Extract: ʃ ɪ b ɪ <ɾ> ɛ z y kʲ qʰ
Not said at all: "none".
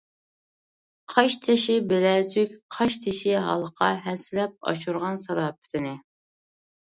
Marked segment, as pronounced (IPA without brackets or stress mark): l